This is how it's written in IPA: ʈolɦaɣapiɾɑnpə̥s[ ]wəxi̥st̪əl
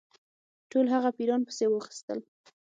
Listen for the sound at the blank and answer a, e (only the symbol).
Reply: e